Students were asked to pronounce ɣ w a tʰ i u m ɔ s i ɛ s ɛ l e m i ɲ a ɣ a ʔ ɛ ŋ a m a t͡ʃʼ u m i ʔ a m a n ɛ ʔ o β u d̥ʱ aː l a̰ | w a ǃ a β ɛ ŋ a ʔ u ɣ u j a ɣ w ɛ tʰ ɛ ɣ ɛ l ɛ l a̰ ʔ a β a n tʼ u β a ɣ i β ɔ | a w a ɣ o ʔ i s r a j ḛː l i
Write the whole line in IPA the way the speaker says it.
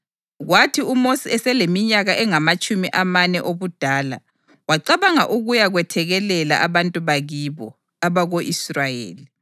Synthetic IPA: ɣ w a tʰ i u m o s i ɛ s ɛ l e m i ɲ a ɣ a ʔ ɛ ŋ a m a t͡ʃʼ u m i ʔ a m a n ɛ ʔ o β u d̥ʱ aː l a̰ | w a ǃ a β a ŋ a ʔ u ɣ u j a ɣ w ɛ tʰ ɛ ɣ ɛ l ɛ l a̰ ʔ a β a n tʼ u β a ɣ i β ɔ | a β a ɣ o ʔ i s r a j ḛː l i